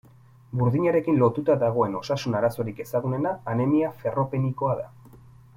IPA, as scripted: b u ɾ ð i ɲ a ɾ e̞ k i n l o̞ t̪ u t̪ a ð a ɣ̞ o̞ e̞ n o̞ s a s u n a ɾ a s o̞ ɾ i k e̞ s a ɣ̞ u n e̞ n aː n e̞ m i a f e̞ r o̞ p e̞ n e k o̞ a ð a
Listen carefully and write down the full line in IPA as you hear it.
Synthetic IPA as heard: b u ɾ ð i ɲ a ɾ e̞ k i n l o̞ t̪ u t̪ a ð a ɣ̞ o̞ e̞ n o̞ s a s u n a ɾ a s o̞ ɾ i k e̞ s a ɣ̞ u n e̞ n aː n e̞ m i a f e̞ r o̞ p e̞ n i k o̞ a ð a

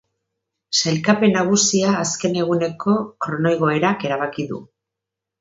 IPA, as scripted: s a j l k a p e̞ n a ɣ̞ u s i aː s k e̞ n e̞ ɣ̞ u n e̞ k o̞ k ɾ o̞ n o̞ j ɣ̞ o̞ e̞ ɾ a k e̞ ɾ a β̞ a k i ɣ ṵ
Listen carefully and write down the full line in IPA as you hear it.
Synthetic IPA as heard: s a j l k a p e̞ n a ɣ̞ u s i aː s k e̞ n e̞ ɣ̞ u n e̞ k o̞ k ɾ o̞ n o̞ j ɣ̞ o̞ e̞ ɾ a k e̞ ɾ a β̞ a k i ð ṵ

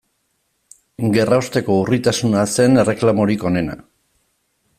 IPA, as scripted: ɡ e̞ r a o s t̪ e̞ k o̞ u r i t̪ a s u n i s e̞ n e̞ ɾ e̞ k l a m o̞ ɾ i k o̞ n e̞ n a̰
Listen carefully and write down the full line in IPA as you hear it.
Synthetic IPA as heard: ɡ e̞ r a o s t̪ e̞ k o̞ u r i t̪ a s u n a s e̞ n e̞ r e̞ k l a m o̞ ɾ i k o̞ n e̞ n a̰

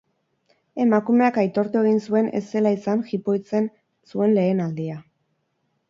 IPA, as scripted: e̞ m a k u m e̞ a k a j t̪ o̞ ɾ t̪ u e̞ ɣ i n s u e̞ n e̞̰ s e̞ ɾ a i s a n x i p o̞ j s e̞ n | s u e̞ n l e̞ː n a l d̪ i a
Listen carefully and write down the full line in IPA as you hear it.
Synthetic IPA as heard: e̞ m a k u m e̞ a k a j t̪ o̞ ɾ t̪ u e̞ ɣ i n s u e̞ n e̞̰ s e̞ l a i s a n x i p o̞ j t͡s e̞ n | s u e̞ n l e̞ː n a l d̪ i a

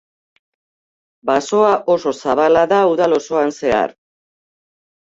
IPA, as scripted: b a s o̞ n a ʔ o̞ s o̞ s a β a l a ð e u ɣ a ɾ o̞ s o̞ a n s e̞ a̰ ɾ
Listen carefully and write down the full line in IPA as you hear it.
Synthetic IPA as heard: b a s o̞ a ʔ o̞ s o̞ s a β a l a ð a u ð a l o̞ s o̞ a n s e̞ a̰ ɾ

